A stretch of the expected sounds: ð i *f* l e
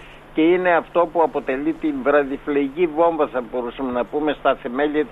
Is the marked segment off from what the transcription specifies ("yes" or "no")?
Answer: no